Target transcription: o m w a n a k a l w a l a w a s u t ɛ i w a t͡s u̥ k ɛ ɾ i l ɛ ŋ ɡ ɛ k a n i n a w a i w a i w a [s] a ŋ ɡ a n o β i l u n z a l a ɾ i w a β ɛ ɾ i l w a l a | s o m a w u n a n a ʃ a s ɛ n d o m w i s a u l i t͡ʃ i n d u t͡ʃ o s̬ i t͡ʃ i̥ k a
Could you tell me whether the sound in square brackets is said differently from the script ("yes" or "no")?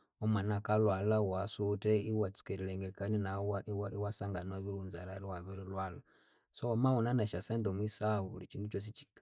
no